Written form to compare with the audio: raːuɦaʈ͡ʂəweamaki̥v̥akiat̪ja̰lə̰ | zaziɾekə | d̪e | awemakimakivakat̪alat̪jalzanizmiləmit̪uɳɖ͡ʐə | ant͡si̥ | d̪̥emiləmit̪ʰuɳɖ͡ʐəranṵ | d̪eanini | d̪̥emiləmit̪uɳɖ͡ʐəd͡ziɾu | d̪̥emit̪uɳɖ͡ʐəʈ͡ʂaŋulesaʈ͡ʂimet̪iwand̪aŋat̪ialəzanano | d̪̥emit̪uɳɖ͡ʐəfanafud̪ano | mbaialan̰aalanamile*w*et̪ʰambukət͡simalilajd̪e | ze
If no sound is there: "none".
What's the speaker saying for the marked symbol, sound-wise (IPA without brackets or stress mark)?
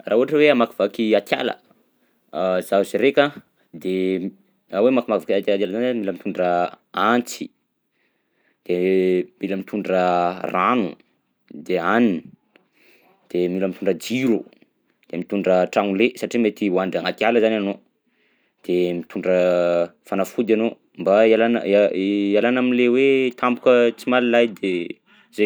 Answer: w